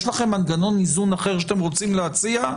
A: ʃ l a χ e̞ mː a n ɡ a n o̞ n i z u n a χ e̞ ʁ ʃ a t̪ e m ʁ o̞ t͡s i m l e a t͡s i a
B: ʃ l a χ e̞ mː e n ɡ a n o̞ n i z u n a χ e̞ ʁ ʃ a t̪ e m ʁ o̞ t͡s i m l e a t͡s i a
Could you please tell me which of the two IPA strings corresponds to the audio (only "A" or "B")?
A